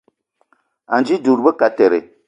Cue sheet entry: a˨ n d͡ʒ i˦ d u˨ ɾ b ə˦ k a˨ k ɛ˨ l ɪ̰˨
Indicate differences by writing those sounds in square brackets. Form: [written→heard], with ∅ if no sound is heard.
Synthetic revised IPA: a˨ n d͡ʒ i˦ d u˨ ɾ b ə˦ k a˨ [k→t] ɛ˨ [l→ɾ] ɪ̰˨